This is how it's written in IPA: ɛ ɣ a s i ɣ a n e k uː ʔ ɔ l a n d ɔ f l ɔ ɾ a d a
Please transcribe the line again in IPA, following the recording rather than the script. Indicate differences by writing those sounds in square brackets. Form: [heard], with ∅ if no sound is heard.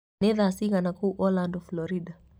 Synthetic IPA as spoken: ɛ [ð] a s i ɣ a n [a] k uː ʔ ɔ l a n d ɔ f l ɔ ɾ [i] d a